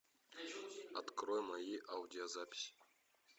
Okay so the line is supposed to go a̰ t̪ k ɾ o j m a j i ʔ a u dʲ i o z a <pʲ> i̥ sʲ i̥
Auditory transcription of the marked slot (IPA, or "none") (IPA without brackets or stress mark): pʲ